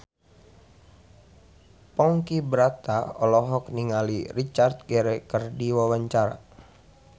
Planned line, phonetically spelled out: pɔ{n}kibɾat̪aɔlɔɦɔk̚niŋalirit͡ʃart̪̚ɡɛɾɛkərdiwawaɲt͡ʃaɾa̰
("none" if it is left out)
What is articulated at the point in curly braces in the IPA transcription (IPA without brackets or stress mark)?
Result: ŋ